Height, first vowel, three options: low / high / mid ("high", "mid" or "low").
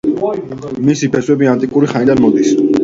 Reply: high